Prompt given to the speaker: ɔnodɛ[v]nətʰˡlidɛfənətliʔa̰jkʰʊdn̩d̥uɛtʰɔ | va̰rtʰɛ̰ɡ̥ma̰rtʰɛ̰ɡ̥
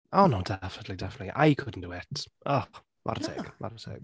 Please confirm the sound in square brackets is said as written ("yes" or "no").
no